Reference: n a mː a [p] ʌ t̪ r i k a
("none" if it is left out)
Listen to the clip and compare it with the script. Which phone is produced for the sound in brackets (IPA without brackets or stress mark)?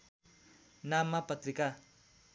p